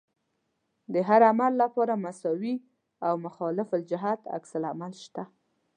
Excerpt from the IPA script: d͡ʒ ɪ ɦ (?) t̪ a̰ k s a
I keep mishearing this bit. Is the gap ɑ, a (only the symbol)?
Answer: a